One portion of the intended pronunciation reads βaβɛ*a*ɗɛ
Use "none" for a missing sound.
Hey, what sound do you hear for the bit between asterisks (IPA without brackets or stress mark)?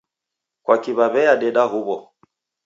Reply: a